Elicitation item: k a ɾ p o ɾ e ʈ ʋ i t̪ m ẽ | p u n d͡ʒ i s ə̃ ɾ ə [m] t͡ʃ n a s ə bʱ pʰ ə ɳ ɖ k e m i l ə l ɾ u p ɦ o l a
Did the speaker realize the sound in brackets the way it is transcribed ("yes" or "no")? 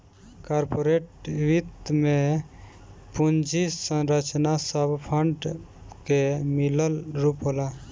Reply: no